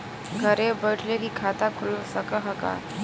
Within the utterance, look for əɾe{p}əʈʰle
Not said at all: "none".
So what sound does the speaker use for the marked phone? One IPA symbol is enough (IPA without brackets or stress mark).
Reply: b